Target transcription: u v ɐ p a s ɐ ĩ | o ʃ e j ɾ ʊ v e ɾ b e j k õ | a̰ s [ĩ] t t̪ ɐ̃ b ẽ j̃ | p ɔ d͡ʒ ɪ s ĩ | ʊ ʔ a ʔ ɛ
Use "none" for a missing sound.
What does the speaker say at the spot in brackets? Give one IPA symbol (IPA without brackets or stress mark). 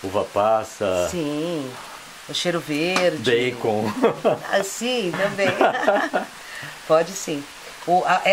ĩ